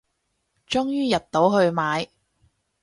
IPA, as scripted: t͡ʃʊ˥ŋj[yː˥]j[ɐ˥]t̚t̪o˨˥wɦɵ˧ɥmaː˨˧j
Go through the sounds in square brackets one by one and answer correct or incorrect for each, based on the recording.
correct, incorrect: ɐ˨

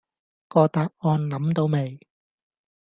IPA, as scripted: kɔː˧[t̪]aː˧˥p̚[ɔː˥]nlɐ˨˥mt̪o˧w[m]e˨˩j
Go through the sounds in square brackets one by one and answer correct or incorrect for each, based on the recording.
correct, incorrect: ɔː˧, correct

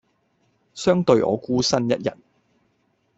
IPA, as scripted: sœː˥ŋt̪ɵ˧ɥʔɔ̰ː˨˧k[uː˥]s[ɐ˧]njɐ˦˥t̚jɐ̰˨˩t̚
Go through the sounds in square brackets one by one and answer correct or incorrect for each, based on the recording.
correct, incorrect: ɐ˥

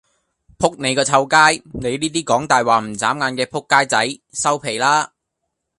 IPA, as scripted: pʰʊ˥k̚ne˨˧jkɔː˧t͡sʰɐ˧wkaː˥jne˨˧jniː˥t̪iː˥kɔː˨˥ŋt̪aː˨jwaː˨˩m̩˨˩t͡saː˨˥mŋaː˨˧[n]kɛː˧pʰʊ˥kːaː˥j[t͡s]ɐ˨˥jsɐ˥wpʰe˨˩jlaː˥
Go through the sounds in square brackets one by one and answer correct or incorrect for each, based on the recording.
correct, correct

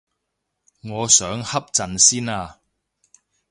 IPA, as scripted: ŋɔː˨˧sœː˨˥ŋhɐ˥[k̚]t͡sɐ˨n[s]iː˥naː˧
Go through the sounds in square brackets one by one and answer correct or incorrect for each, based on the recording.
incorrect: p̚, correct

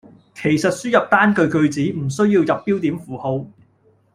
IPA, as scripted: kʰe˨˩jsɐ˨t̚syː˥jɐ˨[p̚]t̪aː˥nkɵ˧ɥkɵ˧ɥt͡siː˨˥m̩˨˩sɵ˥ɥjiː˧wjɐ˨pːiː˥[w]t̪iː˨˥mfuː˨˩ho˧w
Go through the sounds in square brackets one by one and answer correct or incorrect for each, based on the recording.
correct, correct

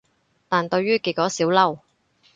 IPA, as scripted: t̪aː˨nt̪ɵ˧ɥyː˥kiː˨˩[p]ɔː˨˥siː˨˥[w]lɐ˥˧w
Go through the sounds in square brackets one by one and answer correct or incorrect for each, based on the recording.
incorrect: k, correct

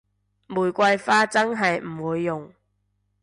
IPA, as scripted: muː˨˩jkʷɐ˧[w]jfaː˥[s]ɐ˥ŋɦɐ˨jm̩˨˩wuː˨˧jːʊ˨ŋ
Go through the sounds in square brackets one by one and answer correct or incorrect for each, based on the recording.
incorrect: none, incorrect: t͡s

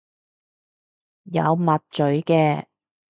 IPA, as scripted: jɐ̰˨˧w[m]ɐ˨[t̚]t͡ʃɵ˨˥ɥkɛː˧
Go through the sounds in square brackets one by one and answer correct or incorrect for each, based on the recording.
correct, correct

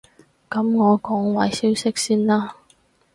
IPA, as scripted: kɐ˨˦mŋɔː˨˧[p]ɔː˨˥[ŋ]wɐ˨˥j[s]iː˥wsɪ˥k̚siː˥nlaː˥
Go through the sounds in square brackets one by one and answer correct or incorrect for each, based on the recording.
incorrect: k, correct, correct

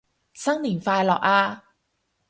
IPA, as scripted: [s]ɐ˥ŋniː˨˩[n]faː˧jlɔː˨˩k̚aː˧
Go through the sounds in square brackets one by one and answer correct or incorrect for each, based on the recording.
correct, correct

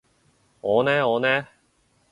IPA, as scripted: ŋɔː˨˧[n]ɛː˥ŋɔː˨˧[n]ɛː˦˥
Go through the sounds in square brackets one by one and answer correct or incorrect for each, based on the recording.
correct, correct

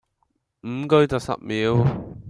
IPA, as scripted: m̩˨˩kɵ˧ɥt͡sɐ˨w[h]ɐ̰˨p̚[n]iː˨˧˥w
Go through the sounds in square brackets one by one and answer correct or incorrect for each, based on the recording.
incorrect: s, incorrect: m

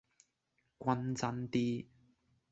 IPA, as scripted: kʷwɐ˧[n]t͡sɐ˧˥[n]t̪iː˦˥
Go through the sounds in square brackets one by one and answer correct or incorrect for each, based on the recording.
correct, correct

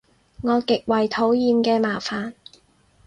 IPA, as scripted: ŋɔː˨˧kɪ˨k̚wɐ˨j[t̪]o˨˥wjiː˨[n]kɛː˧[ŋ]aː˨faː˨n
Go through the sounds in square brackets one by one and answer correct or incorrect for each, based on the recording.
incorrect: t̪ʰ, incorrect: m, incorrect: m

